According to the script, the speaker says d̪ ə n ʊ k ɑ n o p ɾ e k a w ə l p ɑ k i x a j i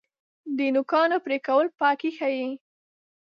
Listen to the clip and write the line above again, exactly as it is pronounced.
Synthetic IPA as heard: d̪ ə n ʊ k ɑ n o p ɾ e k a w ə l p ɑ k i x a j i